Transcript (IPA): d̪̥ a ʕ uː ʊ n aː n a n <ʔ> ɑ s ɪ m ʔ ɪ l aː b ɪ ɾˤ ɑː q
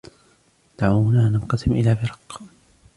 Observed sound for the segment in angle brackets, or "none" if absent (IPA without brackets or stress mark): q